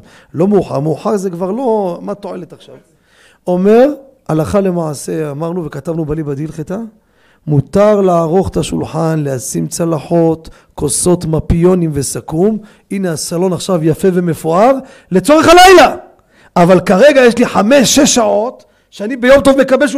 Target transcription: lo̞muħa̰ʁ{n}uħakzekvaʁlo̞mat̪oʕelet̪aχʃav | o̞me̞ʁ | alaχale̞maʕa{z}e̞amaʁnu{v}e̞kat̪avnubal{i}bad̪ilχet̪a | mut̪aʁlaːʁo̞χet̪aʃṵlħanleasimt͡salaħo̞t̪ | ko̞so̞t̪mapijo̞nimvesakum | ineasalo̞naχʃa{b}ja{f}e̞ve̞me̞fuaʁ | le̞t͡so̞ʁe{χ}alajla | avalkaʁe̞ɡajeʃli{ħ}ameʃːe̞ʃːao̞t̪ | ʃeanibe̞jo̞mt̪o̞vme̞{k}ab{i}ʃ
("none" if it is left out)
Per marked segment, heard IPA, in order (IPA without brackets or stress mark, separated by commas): m, s, v, i, v, f, χ, ħ, k, e